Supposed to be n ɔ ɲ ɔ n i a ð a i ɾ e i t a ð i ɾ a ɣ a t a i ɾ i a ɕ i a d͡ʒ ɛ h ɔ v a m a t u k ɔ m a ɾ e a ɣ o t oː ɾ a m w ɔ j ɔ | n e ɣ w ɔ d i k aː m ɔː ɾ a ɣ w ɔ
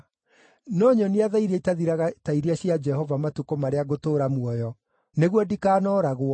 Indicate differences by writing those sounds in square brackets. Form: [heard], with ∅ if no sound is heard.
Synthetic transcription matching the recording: n ɔ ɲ ɔ n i a ð a i ɾ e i t a ð i ɾ a ɣ a t a i ɾ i a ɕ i a d͡ʒ ɛ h ɔ v a m a t u k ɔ m a ɾ e a ɣ o t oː ɾ a m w ɔ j ɔ | n e ɣ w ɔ d i k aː [n] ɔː ɾ a ɣ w ɔ